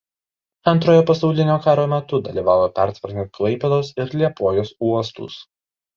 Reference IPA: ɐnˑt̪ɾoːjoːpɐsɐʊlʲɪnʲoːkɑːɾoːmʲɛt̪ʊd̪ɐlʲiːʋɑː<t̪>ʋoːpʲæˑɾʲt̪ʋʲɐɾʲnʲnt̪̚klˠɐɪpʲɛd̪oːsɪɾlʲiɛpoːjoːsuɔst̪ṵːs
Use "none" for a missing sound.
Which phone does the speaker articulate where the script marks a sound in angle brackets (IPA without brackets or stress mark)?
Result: none